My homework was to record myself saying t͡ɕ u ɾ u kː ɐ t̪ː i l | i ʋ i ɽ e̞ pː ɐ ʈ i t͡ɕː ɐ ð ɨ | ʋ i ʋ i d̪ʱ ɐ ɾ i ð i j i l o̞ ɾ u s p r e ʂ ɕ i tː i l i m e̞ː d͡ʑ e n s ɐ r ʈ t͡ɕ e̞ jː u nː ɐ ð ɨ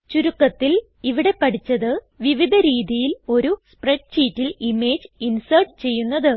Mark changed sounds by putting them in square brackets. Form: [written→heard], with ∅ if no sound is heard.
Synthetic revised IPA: t͡ɕ u ɾ u kː ɐ t̪ː i l | i ʋ i ɽ e̞ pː ɐ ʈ i t͡ɕː ɐ ð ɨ | ʋ i ʋ i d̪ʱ ɐ ɾ [i→iː] ð i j i l o̞ ɾ u s p r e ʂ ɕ [i→iː] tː i l i m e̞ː d͡ʑ [e→i] n s ɐ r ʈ t͡ɕ e̞ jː u nː ɐ ð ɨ